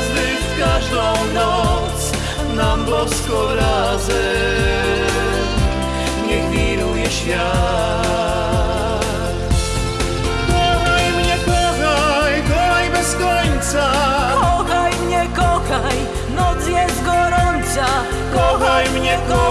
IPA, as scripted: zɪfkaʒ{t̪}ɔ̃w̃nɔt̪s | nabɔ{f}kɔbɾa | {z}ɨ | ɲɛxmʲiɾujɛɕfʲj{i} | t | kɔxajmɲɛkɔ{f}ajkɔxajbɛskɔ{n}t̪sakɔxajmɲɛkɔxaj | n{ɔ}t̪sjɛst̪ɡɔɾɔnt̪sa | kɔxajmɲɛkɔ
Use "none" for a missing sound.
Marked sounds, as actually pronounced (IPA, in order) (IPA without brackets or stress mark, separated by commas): d̪, s, z, a, x, ɲ, ɔ